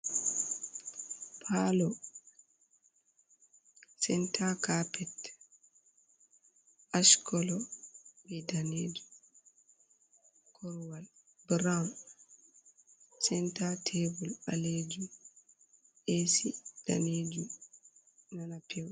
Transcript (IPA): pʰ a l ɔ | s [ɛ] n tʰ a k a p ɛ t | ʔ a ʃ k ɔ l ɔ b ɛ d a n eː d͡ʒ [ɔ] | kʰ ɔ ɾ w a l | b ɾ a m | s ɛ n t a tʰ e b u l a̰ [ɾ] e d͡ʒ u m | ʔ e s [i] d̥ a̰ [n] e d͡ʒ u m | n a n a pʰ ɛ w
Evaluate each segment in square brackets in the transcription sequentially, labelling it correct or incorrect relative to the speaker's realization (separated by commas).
correct, incorrect, incorrect, correct, correct